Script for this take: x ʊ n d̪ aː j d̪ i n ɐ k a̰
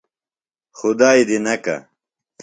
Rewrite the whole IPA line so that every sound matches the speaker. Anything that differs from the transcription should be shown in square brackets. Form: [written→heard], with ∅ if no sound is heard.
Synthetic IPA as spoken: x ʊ [n→∅] d̪ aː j d̪ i n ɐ k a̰